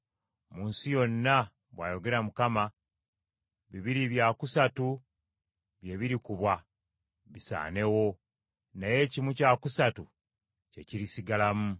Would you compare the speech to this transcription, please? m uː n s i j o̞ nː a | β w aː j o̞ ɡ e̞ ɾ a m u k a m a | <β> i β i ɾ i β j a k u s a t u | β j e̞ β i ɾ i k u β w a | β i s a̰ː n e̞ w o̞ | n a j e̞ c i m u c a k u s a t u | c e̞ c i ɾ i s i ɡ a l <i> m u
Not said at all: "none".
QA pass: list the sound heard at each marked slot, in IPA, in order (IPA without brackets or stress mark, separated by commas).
β, a